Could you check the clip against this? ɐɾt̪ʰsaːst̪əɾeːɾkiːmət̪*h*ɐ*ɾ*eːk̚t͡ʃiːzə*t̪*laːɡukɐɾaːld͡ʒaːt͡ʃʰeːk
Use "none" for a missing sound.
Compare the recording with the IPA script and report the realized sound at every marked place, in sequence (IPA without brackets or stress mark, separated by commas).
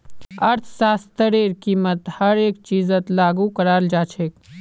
h, ɾ, t̪